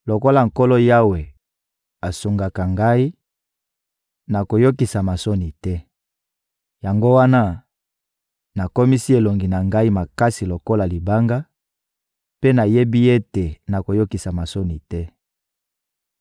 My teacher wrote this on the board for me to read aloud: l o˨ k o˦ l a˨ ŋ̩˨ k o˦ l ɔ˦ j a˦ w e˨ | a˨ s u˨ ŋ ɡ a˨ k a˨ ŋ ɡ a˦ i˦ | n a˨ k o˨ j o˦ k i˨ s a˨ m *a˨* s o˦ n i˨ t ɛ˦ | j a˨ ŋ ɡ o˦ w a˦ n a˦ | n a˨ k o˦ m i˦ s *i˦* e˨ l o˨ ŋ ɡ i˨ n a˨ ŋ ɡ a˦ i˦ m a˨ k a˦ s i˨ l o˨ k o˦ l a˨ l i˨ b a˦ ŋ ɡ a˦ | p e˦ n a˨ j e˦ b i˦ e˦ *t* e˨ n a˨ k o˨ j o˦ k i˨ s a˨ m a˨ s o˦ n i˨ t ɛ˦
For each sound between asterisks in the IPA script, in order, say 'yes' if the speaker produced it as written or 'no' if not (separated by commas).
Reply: yes, yes, yes